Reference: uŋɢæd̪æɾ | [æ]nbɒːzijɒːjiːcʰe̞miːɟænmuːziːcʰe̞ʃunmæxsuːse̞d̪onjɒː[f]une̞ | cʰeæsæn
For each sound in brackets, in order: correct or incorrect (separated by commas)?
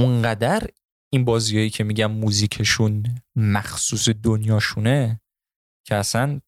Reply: incorrect, incorrect